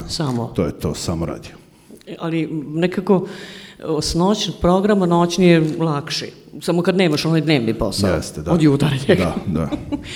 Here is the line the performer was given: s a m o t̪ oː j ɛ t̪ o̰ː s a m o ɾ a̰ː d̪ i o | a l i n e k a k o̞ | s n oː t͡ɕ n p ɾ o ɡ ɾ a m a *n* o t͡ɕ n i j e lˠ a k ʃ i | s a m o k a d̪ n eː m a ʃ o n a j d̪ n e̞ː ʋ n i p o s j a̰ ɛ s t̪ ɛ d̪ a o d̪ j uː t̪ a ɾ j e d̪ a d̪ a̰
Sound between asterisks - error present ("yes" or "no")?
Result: no